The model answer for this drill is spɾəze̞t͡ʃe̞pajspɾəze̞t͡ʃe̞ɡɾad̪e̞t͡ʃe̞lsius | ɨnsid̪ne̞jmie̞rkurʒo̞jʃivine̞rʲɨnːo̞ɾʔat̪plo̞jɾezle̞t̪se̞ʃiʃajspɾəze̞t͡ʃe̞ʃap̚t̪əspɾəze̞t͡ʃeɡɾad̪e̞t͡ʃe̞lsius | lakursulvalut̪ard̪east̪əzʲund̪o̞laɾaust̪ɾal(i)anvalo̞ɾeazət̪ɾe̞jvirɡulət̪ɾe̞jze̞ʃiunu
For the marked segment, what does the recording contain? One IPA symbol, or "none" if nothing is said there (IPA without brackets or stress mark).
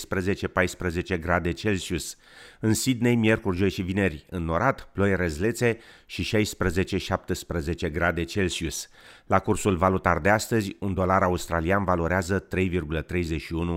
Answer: i